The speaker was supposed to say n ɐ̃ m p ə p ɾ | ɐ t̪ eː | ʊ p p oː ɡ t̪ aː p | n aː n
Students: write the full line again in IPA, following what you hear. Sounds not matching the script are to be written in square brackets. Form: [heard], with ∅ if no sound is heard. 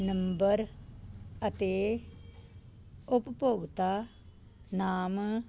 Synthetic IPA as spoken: n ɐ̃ m [b] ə [∅] ɾ | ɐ t̪ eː | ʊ p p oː ɡ t̪ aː [∅] | n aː [m]